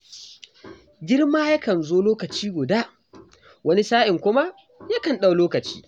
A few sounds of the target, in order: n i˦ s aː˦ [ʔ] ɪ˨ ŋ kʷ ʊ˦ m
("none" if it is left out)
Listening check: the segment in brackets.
ʔ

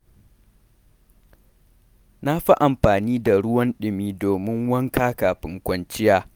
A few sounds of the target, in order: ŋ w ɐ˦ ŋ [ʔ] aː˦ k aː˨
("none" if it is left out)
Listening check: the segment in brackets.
k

